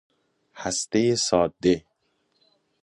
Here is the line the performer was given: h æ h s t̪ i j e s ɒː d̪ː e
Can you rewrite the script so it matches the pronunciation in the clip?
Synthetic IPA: h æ s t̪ e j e s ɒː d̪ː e